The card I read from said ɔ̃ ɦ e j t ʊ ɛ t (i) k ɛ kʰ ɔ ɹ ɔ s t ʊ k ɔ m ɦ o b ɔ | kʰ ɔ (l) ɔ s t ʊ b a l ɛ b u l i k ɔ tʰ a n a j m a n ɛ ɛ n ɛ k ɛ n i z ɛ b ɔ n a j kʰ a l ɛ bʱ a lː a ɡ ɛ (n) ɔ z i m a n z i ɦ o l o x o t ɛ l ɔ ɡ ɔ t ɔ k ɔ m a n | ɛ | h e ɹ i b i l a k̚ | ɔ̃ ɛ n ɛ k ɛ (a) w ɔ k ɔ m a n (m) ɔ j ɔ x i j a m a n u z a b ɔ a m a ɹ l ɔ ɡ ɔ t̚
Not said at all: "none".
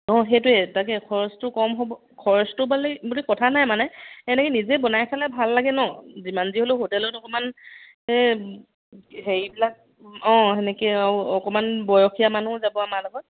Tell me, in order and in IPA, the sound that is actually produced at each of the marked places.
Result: a, ɹ, n, a, b

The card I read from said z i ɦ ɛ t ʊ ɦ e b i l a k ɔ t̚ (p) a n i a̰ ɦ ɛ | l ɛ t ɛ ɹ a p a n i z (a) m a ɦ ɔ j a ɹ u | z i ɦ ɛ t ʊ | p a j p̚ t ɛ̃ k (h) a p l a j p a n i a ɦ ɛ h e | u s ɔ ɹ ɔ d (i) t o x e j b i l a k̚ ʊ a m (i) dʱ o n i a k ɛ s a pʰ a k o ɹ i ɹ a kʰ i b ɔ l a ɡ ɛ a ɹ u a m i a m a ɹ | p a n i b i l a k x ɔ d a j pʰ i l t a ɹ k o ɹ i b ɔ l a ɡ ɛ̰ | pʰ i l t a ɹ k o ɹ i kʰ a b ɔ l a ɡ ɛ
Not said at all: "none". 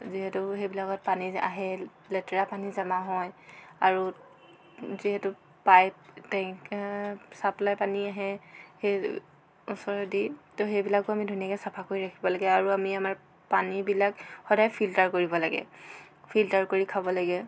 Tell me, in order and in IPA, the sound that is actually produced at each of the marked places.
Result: p, a, s, i, i

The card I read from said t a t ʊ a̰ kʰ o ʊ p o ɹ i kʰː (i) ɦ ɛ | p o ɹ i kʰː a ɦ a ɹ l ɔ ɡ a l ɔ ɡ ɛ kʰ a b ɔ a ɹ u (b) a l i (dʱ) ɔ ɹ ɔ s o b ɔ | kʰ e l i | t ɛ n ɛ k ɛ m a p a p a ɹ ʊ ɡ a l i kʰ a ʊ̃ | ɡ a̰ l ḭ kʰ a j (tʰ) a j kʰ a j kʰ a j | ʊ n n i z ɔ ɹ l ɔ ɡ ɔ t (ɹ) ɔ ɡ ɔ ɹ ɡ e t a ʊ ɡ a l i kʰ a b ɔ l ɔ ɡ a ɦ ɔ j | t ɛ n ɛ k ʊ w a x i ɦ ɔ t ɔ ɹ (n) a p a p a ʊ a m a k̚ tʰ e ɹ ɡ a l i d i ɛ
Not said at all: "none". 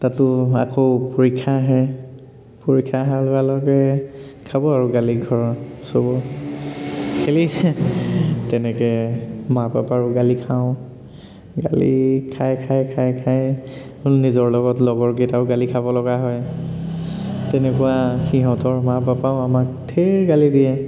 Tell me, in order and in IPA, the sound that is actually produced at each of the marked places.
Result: a, ɡ, ɡʱ, kʰ, l, m

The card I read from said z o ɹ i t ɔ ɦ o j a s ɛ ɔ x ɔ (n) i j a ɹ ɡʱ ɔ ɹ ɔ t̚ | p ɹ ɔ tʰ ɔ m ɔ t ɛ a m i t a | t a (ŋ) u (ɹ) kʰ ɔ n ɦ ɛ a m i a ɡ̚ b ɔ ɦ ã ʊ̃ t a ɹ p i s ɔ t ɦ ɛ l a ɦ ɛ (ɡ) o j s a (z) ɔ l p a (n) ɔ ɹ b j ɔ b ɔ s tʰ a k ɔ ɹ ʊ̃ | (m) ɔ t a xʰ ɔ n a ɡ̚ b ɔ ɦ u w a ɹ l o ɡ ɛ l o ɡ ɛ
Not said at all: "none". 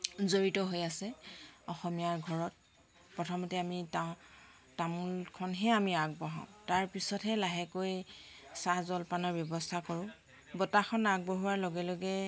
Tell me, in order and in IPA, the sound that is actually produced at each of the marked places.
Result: m, m, l, k, z, n, b

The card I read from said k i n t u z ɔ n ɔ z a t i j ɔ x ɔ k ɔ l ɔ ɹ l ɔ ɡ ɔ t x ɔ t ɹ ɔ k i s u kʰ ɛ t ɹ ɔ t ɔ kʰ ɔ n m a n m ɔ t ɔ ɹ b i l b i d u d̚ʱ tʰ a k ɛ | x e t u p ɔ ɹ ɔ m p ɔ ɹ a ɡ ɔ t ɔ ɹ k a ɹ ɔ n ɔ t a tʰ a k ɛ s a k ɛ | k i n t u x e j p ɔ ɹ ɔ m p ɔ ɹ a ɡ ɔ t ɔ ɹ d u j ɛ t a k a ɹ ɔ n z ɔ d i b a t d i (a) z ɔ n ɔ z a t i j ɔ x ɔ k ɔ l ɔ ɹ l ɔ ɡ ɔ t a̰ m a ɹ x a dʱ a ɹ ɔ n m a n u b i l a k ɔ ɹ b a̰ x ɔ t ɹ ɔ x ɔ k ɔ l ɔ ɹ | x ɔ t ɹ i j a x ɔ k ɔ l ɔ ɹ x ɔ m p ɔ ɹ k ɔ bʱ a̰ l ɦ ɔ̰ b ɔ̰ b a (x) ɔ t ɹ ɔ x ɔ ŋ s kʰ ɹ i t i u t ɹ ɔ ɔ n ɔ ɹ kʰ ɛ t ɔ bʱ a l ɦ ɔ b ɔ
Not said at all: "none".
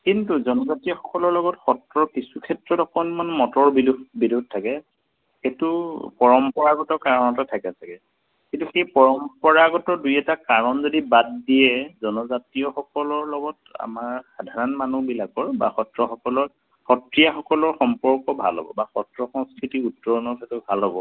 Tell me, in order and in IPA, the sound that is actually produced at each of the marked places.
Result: ɛ, x

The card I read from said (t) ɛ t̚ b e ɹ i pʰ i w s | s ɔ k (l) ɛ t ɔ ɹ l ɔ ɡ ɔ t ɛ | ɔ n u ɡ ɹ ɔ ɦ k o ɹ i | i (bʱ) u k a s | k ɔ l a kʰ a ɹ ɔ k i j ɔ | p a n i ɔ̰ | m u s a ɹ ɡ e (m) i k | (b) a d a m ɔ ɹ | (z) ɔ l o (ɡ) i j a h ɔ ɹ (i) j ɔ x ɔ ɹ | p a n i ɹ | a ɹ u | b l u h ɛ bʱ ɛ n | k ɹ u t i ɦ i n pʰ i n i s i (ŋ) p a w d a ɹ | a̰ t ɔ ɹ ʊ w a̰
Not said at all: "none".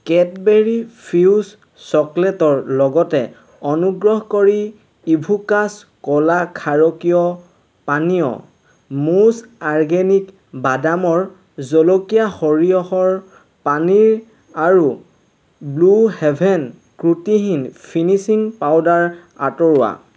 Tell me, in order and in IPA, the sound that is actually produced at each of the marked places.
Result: k, l, bʱ, n, b, z, k, i, ŋ

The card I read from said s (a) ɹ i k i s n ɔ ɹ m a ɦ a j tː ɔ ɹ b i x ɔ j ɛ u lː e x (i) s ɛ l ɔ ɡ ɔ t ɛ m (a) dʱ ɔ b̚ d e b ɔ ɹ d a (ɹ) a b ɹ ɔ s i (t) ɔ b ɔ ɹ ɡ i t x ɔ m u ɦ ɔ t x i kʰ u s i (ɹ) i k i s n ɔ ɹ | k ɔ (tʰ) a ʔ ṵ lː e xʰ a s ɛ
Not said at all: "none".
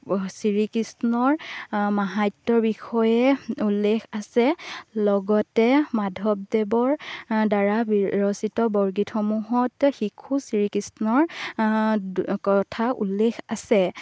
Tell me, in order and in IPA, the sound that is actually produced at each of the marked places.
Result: i, a, a, ɹ, t, ɹ, tʰ

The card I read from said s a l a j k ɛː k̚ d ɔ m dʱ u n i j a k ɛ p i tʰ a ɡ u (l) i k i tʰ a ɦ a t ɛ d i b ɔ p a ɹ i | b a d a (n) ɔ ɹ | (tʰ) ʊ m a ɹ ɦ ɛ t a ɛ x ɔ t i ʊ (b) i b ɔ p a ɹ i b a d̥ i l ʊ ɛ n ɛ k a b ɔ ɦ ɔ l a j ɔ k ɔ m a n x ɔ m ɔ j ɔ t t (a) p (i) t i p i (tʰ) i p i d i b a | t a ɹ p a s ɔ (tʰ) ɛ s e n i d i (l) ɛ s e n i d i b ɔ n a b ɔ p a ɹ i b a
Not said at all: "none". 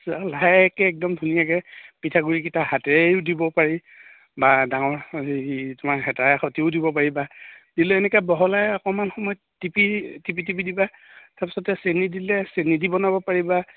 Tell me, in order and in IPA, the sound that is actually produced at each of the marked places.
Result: ɹ, ŋ, t, d, i, i, t, t, l

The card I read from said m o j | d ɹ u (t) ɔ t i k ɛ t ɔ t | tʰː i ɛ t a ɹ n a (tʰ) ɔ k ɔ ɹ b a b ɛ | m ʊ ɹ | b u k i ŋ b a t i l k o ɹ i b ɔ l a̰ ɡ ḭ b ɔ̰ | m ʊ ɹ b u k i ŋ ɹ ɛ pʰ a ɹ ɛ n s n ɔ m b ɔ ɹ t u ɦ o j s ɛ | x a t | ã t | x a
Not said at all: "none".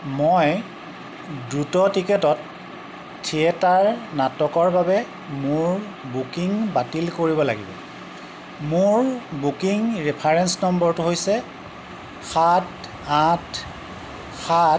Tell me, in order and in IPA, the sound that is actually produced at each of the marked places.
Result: t, t

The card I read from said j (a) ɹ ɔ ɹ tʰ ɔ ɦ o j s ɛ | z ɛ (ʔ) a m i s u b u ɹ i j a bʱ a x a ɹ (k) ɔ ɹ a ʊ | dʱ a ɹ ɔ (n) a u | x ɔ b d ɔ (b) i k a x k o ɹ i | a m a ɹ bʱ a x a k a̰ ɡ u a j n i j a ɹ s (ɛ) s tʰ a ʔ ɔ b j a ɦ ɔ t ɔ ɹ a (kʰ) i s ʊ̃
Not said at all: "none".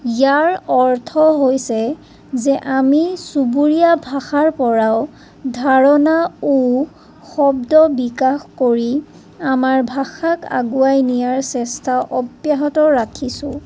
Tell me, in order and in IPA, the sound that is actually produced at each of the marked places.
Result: a, ʔ, p, n, b, ɛ, kʰ

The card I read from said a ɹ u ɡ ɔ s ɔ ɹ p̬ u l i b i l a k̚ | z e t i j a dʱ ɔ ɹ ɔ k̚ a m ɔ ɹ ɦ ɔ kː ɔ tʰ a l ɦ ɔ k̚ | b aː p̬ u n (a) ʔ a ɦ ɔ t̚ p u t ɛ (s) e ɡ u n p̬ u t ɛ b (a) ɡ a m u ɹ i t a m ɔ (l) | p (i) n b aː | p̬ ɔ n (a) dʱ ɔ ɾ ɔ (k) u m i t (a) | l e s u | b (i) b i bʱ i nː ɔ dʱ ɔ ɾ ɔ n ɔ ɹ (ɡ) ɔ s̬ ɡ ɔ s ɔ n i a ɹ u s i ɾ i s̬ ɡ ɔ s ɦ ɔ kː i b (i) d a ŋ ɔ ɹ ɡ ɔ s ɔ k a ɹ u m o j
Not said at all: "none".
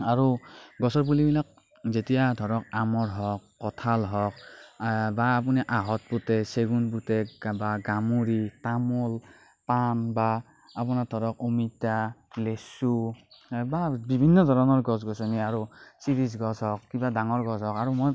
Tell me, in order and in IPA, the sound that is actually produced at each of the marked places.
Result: i, s, a, l, a, a, k, a, a, ɡ, a

